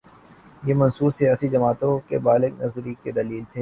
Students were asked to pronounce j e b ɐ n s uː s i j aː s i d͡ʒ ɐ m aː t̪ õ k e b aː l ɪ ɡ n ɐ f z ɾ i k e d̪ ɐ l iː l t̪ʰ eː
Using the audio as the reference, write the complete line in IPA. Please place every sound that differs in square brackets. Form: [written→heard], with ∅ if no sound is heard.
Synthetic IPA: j e [b→m] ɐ n s uː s i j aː s i d͡ʒ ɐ m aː t̪ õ k e b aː l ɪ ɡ n ɐ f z ɾ i k e d̪ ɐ l iː l t̪ʰ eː